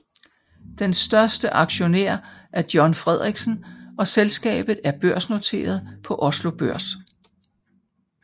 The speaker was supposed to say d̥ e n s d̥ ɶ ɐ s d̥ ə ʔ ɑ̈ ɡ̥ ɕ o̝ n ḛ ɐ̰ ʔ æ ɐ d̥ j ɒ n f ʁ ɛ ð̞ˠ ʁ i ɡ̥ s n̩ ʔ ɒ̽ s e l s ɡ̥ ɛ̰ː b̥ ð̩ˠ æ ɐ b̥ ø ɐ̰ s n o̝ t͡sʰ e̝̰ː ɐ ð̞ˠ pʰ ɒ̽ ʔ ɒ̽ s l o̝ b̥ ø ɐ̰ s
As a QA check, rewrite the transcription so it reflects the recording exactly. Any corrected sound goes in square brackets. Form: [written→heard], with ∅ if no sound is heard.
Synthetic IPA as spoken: d̥ e n s d̥ ɶ ɐ s d̥ ə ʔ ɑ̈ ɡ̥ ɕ o̝ n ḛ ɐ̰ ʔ æ ɐ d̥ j ɒ n f ʁ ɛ ð̞ˠ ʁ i ɡ̥ s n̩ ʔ ɒ̽ s e l s ɡ̥ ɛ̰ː b̥ ð̩ˠ æ ɐ b̥ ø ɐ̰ s n o̝ t͡sʰ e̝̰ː ɐ ð̞ˠ pʰ ɒ̽ ʔ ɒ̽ s l o̝ b̥ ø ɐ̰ s